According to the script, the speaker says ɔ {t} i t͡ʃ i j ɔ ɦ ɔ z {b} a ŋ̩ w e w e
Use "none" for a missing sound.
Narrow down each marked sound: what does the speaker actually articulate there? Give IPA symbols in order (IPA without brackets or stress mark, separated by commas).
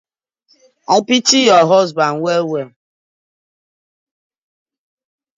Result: p, b